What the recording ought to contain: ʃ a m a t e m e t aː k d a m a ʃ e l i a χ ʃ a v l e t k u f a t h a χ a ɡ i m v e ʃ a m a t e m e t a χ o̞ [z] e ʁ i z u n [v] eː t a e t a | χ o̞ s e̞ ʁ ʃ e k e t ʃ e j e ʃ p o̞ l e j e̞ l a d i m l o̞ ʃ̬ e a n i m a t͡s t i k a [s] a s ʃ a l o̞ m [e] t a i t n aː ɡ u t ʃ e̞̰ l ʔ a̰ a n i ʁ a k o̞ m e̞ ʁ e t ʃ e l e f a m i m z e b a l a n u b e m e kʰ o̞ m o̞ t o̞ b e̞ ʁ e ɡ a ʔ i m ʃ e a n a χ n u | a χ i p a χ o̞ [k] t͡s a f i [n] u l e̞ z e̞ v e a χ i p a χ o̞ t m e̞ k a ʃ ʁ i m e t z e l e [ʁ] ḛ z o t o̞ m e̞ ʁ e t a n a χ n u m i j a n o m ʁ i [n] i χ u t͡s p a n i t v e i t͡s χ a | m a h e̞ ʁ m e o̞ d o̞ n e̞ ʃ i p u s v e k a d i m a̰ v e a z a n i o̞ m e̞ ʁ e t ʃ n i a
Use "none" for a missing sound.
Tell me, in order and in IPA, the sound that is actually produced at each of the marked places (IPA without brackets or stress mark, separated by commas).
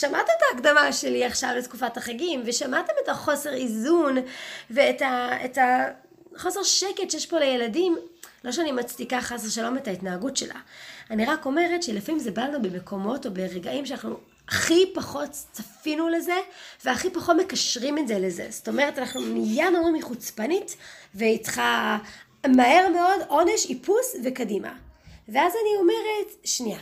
s, v, χ, e, t, n, z, m